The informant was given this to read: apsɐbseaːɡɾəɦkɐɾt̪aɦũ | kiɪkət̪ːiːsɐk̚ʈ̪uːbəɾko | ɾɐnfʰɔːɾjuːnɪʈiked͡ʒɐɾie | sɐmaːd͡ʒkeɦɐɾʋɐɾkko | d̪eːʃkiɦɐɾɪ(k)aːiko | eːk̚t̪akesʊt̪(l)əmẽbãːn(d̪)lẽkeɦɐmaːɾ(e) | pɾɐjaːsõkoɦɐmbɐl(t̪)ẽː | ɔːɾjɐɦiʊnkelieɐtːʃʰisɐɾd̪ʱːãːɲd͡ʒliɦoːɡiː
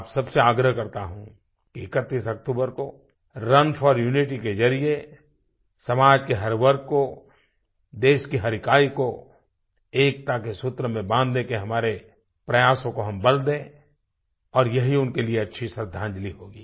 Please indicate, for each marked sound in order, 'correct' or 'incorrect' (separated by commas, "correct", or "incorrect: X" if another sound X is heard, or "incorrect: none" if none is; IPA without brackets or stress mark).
correct, incorrect: ɾ, correct, correct, incorrect: d̪